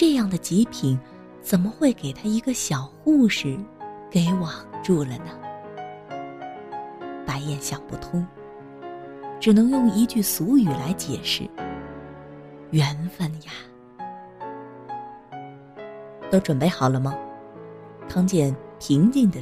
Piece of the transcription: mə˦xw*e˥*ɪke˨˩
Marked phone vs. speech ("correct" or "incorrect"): incorrect